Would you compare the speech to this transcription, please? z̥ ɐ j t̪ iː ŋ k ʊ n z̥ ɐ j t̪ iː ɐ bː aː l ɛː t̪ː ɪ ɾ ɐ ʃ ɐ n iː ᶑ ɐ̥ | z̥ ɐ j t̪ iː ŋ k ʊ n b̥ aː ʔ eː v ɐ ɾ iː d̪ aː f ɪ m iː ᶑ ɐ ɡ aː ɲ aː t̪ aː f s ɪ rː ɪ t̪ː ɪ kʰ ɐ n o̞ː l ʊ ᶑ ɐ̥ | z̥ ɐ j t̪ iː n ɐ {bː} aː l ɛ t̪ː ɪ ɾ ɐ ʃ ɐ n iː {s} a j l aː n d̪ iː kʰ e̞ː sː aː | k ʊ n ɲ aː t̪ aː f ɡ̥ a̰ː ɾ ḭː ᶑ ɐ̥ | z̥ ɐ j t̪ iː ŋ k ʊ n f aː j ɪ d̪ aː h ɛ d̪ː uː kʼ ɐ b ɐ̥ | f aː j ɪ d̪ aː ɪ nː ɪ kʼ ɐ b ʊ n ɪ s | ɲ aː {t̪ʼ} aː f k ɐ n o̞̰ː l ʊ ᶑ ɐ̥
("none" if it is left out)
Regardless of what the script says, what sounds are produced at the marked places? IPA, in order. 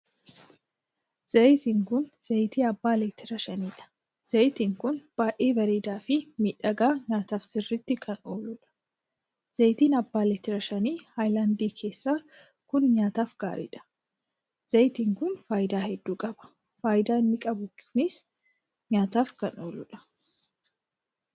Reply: bː, h, t̪

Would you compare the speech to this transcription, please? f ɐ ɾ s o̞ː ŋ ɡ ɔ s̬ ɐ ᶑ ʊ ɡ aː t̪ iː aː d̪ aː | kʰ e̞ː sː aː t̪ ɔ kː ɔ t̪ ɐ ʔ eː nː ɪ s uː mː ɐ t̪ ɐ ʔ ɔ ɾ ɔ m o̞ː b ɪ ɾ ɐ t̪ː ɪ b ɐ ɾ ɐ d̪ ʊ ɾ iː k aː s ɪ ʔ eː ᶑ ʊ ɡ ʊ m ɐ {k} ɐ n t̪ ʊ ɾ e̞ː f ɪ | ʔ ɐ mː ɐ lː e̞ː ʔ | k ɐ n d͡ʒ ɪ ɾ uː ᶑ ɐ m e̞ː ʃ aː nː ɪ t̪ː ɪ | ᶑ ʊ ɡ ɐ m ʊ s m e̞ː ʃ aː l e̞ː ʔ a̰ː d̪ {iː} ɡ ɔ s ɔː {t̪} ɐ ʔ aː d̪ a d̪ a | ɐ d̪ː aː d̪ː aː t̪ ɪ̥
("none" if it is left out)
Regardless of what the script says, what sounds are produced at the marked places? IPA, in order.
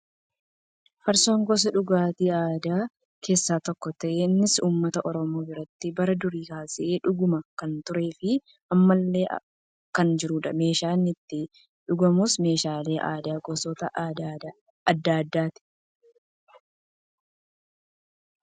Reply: k, aː, t̪

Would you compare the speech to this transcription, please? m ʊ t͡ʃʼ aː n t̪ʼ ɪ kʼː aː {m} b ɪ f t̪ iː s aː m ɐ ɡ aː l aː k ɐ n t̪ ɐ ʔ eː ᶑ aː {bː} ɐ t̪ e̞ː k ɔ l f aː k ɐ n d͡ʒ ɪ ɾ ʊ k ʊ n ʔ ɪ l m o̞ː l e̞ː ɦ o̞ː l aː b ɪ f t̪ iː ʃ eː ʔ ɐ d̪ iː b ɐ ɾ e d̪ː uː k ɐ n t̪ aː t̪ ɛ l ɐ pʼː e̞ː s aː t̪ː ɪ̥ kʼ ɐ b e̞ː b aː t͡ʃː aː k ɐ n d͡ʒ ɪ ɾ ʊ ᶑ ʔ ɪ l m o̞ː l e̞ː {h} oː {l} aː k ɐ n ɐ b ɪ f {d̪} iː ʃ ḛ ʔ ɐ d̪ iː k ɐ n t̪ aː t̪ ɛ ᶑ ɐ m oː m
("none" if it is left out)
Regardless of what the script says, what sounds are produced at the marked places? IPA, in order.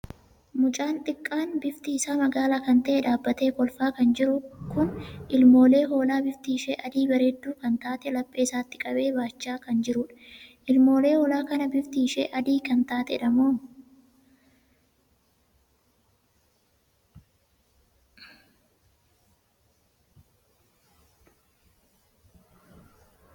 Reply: n, bː, h, l, t̪

